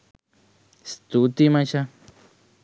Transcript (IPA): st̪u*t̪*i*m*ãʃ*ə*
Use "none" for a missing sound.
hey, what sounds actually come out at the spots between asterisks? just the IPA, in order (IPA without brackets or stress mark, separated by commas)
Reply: t̪, m, a